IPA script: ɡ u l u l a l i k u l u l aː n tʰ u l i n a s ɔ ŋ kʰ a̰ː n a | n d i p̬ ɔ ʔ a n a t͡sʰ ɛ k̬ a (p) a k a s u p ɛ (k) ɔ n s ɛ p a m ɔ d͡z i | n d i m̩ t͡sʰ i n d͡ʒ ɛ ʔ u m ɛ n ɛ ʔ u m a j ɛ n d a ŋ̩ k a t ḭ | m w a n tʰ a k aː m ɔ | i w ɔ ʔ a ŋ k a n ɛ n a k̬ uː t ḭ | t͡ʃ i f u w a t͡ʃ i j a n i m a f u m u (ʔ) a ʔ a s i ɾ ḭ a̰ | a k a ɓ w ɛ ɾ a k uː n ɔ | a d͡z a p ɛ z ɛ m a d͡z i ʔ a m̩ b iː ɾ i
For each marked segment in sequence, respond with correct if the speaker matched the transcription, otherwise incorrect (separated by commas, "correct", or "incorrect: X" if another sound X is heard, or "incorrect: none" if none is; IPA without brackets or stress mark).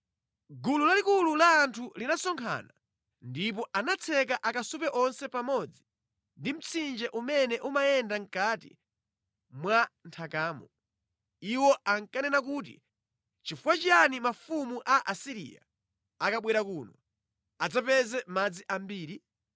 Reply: incorrect: ʔ, incorrect: ʔ, correct